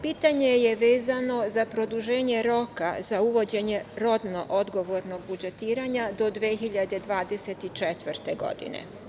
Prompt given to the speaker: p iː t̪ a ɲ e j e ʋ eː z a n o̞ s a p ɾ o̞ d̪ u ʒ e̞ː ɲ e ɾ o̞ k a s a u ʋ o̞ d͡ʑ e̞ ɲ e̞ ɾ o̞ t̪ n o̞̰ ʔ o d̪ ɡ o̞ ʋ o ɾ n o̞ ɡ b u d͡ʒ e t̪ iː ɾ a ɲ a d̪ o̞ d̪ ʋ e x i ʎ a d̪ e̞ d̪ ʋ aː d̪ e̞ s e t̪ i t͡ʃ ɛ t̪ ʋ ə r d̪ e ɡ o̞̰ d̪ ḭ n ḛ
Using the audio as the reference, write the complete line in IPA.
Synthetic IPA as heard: p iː t̪ a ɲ e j e ʋ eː z a n o̞ z a p ɾ o̞ d̪ u ʒ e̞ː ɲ e ɾ o̞ k a z a u ʋ o̞ d͡ʑ e̞ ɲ e̞ ɾ o̞ d̪ n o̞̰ ʔ o d̪ ɡ o̞ ʋ o ɾ n o̞ ɡ b u d͡ʒ e t̪ iː ɾ a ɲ a d̪ o̞ d̪ ʋ e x i ʎ a d̪ e̞ d̪ ʋ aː d̪ e̞ s e t̪ i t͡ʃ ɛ t̪ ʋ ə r t̪ e ɡ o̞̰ d̪ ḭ n ḛ